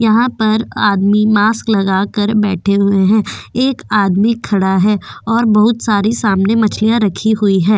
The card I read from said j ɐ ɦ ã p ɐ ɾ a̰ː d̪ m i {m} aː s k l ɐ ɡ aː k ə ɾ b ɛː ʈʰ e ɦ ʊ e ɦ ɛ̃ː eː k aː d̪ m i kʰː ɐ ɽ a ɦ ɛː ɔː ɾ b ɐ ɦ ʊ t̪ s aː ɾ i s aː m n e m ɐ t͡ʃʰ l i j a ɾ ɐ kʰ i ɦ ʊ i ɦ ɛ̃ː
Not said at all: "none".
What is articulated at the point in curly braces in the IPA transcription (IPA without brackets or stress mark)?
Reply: m